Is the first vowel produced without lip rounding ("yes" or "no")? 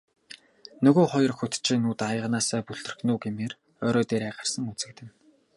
no